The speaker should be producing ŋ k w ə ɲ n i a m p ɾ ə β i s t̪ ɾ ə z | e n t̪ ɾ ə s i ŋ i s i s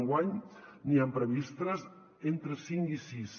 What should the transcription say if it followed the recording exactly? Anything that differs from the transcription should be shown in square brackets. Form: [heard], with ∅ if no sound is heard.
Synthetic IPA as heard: ŋ [ɡ] w [a] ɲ n i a m p ɾ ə β i s t̪ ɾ ə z | e n t̪ ɾ ə s i ŋ i s i s